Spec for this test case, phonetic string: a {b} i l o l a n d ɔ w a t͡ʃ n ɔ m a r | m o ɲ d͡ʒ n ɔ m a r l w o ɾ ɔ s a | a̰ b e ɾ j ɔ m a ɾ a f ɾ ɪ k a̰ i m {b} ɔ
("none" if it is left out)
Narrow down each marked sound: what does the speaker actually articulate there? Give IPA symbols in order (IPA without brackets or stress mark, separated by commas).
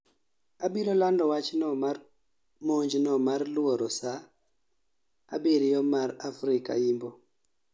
b, b